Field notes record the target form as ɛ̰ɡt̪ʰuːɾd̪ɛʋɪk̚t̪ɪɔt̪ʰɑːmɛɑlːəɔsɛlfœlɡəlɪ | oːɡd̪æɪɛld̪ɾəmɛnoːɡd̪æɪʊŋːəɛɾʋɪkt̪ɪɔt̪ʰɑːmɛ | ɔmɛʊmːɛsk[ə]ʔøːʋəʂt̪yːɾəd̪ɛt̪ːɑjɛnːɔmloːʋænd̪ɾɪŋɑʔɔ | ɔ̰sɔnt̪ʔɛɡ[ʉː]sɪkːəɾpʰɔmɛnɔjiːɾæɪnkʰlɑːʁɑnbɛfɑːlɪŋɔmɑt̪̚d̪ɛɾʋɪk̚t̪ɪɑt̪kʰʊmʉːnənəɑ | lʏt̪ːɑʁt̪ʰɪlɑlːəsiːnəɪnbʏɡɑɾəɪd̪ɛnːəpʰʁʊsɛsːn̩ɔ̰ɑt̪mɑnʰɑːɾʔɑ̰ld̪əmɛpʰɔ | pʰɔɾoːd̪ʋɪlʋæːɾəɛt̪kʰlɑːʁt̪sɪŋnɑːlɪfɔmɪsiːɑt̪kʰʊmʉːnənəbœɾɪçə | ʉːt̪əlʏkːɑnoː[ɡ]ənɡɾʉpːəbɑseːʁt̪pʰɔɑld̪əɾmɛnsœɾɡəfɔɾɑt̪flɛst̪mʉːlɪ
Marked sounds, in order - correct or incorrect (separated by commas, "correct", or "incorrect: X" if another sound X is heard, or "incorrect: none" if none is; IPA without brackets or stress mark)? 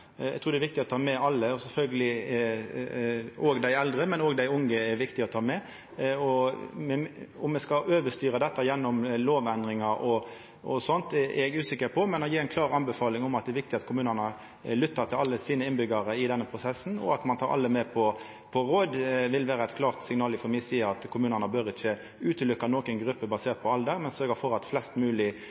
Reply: incorrect: ɑ, correct, incorrect: k